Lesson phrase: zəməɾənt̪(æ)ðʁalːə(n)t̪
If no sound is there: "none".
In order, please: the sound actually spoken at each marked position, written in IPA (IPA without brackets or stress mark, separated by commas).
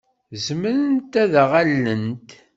æ, n